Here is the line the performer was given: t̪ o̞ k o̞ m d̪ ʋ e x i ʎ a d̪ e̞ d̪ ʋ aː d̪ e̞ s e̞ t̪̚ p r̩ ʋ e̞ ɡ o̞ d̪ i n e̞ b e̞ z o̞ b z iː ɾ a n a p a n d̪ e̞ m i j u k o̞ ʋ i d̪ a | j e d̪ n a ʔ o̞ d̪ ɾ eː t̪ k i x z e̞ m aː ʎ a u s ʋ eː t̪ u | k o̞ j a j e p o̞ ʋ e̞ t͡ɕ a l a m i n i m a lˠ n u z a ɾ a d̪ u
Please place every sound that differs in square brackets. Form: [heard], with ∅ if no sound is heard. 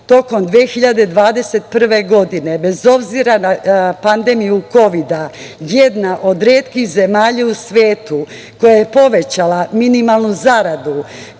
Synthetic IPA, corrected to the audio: t̪ o̞ k o̞ m d̪ ʋ e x i ʎ a d̪ e̞ d̪ ʋ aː d̪ e̞ s e̞ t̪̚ p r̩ ʋ e̞ ɡ o̞ d̪ i n e̞ b e̞ z o̞ b z [i] ɾ a n a p a n d̪ e̞ m i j u k o̞ ʋ i d̪ a | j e d̪ n a ʔ o̞ d̪ ɾ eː t̪ k i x z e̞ m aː ʎ a u s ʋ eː t̪ u | k o̞ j a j e p o̞ ʋ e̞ t͡ɕ a l a m i n i m a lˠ n u z a ɾ a d̪ u